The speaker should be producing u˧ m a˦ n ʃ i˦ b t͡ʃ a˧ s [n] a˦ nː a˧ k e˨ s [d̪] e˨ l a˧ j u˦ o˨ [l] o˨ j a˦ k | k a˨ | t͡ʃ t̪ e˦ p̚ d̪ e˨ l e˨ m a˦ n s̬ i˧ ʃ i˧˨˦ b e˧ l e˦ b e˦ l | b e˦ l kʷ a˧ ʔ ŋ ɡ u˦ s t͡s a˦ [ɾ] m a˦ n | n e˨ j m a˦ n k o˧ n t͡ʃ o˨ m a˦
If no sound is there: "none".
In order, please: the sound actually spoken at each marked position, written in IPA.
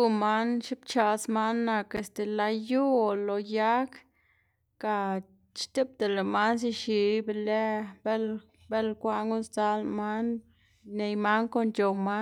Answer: m, t̪, l, l

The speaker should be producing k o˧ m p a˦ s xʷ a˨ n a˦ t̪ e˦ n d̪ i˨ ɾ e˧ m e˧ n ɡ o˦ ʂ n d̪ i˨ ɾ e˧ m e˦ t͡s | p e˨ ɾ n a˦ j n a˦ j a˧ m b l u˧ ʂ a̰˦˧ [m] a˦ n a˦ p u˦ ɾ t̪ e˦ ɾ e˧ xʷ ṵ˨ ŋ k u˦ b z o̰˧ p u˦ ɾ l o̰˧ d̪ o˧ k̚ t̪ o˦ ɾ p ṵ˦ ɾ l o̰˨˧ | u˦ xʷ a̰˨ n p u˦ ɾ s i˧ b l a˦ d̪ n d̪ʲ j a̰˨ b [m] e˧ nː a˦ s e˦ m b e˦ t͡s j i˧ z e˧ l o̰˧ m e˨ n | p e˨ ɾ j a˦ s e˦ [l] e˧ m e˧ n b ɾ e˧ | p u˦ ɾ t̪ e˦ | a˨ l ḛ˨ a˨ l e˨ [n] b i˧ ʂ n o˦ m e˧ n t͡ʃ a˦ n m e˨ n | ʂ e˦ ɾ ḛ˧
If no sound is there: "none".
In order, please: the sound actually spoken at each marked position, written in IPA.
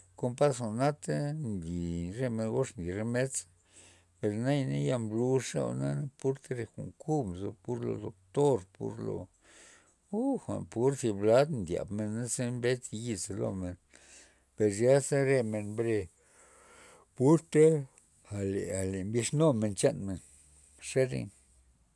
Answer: n, m, ɾ, m

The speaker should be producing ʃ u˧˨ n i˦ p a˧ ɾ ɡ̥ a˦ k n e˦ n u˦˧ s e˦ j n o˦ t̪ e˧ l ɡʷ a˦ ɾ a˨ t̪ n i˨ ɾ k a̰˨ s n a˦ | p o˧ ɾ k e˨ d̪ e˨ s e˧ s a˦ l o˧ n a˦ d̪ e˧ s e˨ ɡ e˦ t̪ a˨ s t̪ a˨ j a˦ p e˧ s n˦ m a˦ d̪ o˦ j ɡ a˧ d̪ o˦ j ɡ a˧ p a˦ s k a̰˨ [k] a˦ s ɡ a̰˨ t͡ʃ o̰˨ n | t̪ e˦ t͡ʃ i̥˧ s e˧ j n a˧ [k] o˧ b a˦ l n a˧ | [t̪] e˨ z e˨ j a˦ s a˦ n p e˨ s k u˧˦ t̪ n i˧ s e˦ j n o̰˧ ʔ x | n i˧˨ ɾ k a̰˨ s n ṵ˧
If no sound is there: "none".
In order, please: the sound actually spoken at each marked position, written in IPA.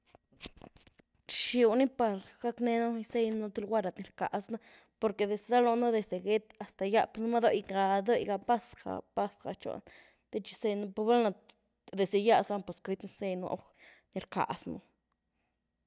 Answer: p, p, d̪

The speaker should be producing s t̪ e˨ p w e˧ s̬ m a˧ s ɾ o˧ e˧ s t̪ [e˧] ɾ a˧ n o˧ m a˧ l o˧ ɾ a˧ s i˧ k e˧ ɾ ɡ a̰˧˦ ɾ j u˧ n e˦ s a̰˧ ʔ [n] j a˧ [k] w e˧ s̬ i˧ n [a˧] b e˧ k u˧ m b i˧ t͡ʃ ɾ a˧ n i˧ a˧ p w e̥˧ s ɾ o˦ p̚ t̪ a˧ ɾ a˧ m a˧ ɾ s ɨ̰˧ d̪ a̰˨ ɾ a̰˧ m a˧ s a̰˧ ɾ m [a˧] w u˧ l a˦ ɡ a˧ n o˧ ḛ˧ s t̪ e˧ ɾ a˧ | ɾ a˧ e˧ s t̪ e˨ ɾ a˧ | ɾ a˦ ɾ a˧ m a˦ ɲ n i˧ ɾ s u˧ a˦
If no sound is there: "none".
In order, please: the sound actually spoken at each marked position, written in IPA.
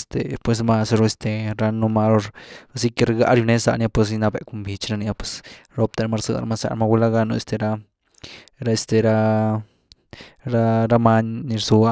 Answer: e˧, n, p, a˧, a˧

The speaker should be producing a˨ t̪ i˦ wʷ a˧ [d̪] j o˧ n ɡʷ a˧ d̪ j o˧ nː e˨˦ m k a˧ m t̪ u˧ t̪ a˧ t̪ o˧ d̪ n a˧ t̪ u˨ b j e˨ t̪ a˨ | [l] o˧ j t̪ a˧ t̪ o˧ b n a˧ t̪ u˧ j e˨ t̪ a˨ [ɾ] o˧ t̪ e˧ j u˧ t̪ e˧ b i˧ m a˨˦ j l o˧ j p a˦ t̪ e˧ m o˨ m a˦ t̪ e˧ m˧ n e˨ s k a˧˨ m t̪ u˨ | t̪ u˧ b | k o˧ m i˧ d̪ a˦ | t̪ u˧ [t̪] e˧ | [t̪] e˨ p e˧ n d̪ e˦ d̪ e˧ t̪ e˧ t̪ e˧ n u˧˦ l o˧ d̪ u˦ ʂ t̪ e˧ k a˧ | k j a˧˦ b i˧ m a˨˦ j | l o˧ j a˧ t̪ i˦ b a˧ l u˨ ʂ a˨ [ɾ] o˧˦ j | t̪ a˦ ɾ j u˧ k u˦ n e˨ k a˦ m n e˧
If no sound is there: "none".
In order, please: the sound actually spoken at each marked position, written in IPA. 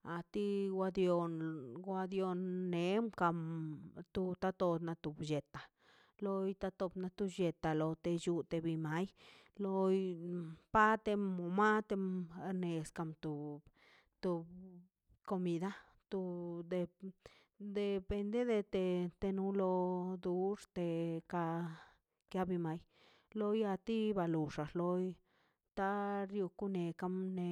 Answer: d̪, l, l, d̪, d̪, l

